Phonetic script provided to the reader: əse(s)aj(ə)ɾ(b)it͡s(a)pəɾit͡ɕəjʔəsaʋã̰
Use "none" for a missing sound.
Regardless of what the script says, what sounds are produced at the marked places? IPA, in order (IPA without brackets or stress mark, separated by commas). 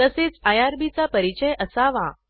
t͡s, a, b, a